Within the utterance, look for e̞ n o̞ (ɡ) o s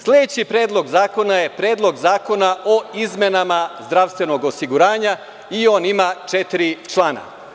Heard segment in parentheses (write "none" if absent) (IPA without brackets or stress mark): ɡ